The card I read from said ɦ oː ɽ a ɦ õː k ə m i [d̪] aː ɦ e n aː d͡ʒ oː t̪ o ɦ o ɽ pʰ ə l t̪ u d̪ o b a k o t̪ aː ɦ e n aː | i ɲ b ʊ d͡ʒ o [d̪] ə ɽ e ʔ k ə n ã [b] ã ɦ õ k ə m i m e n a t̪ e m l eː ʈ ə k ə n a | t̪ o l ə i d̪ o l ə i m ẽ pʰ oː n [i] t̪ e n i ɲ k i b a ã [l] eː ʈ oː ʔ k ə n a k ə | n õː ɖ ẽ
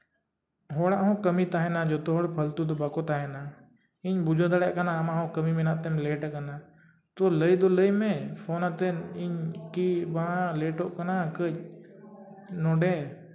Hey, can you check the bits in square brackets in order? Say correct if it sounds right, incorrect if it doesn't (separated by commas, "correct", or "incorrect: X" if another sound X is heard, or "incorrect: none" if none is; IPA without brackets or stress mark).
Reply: incorrect: t̪, correct, incorrect: m, incorrect: a, correct